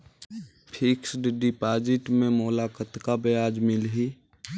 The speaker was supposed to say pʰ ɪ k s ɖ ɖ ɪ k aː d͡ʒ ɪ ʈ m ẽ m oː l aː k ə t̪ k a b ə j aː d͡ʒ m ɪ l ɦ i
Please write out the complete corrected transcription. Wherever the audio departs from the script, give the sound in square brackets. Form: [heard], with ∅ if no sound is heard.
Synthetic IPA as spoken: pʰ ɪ k s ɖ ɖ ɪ [p] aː d͡ʒ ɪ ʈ m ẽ m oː l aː k ə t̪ k a b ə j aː d͡ʒ m ɪ l ɦ i